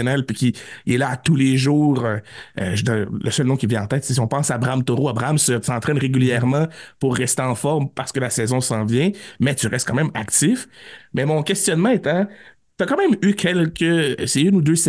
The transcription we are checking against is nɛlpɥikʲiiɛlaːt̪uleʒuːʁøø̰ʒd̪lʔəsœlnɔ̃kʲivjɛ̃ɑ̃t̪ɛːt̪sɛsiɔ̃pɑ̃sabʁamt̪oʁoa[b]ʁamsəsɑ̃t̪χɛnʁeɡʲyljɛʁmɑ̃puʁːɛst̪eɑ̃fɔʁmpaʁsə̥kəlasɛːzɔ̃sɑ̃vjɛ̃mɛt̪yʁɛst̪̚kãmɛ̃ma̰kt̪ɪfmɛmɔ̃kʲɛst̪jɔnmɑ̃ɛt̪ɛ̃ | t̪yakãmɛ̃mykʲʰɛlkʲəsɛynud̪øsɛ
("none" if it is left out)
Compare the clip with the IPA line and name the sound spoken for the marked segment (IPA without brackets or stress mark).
b